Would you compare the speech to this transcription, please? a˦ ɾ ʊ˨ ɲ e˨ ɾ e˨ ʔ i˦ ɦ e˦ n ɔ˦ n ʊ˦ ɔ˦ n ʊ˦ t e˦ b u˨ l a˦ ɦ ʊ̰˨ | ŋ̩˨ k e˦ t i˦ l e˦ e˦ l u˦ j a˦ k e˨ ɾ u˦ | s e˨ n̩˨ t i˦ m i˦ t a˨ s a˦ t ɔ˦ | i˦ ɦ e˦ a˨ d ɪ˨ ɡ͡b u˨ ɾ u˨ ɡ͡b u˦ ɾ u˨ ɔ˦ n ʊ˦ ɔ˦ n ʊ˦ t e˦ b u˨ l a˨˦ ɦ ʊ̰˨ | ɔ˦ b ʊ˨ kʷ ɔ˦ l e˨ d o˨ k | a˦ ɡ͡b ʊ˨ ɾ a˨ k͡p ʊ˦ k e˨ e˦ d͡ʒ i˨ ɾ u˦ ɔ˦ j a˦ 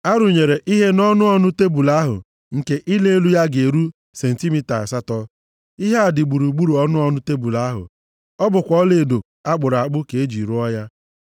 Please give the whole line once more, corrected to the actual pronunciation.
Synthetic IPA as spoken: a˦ ɾ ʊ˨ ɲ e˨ ɾ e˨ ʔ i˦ ɦ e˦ n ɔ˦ n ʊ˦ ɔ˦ n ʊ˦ t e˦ b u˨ l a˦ ɦ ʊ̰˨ | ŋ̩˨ k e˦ ʔ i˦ l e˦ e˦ l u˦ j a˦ ɡ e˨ ɾ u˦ | s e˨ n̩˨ t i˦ m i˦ t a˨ s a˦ t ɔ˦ | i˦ ɦ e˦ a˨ d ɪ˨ ɡ͡b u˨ ɾ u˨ ɡ͡b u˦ ɾ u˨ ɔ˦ n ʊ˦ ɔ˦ n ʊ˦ t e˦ b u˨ l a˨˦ ɦ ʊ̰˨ | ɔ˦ b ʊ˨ kʷ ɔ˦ l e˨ d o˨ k | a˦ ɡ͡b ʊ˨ ɾ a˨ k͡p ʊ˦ k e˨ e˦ d͡ʒ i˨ ɾ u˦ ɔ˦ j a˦